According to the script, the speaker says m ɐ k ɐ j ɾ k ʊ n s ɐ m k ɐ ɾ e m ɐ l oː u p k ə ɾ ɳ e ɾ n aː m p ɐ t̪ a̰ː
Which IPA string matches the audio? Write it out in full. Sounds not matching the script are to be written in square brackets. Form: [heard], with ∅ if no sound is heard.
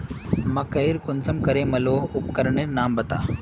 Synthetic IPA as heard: m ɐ k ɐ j ɾ k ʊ n s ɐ m k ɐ ɾ e m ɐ l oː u p k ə ɾ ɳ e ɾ n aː m [b] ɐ t̪ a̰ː